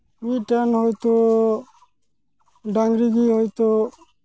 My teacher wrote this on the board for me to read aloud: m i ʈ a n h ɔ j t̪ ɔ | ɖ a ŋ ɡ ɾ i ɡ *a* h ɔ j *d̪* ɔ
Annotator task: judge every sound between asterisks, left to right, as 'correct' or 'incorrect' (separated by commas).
incorrect, incorrect